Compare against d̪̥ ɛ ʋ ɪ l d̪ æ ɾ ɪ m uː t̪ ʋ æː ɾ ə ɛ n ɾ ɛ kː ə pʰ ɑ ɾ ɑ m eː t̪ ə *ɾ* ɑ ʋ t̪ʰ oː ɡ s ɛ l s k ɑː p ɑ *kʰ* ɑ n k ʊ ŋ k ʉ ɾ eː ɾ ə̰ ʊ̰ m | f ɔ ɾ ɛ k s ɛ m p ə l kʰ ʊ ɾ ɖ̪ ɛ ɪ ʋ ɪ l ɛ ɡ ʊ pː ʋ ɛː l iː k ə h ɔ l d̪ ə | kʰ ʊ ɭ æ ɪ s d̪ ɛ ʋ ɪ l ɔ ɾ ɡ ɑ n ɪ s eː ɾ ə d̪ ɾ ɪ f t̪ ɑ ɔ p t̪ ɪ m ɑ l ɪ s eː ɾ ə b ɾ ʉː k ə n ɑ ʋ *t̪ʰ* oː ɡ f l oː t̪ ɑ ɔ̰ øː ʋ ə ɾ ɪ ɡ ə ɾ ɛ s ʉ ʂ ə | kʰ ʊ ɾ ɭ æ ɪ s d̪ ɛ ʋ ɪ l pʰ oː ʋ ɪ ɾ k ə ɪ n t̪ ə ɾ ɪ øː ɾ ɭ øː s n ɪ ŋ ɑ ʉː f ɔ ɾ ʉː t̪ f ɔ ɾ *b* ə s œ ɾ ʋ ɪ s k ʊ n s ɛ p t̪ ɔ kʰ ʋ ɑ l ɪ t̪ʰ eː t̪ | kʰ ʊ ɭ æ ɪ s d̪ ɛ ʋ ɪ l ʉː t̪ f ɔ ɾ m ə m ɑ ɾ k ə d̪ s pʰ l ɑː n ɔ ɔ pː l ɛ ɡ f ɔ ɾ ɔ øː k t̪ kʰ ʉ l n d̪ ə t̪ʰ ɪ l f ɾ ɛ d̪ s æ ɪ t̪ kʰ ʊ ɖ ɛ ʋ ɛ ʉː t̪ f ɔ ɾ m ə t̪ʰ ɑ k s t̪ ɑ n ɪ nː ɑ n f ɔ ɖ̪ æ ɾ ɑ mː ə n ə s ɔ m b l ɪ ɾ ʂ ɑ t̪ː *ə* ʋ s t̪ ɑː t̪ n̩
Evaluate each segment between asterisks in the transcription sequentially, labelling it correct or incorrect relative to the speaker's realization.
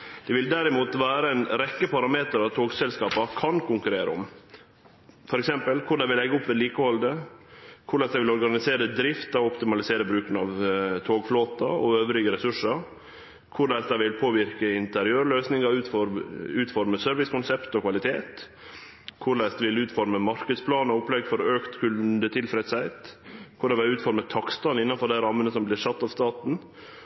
correct, correct, correct, incorrect: m, incorrect: ɑ

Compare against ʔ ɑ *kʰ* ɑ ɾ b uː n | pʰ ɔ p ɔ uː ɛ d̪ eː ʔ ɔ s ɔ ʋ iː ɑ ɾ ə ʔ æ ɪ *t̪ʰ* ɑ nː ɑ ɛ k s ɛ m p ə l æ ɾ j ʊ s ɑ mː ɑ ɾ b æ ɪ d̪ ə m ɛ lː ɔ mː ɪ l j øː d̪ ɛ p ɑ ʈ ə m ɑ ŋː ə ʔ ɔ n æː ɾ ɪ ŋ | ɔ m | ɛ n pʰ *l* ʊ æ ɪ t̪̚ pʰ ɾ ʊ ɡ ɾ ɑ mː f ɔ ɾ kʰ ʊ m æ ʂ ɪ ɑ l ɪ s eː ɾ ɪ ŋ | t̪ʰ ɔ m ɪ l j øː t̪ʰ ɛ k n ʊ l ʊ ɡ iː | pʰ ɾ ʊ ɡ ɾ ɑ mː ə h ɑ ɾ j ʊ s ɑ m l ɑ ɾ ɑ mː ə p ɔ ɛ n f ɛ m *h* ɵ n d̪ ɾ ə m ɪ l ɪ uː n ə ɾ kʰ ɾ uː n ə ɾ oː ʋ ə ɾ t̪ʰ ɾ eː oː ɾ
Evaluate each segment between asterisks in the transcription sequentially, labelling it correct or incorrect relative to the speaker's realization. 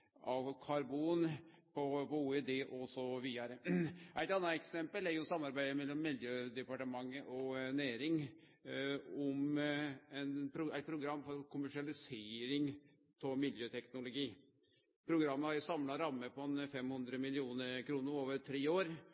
correct, incorrect: t̪, incorrect: ɾ, correct

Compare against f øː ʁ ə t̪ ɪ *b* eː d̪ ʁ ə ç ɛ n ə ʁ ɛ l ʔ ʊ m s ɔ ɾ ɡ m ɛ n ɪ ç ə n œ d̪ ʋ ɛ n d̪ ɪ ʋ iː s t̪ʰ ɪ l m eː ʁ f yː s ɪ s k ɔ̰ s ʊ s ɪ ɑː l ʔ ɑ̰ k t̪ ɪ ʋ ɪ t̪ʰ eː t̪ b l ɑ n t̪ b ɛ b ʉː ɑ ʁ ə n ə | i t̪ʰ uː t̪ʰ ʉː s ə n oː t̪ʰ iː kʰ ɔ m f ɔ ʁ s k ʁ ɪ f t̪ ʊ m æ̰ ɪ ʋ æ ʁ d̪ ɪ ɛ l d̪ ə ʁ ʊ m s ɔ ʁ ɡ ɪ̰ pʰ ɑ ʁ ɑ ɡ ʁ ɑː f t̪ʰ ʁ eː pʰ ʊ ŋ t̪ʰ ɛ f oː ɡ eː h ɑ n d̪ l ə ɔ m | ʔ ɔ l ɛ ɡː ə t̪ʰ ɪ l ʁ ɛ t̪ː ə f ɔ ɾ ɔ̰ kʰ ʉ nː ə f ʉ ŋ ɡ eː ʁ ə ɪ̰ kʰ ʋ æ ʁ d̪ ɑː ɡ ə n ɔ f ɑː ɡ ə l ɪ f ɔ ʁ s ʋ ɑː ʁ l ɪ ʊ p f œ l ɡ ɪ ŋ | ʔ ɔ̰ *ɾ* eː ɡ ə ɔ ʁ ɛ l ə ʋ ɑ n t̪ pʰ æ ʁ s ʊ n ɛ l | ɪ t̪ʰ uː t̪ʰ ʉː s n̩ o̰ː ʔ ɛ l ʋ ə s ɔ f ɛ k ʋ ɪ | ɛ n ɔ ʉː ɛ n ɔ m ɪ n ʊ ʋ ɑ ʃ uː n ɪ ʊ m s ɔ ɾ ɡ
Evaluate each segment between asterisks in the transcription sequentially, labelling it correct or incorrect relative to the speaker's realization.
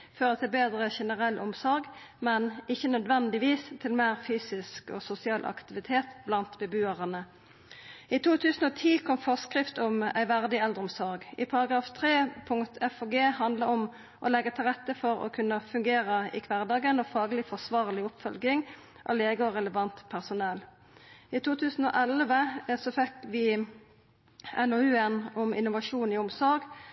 correct, incorrect: l

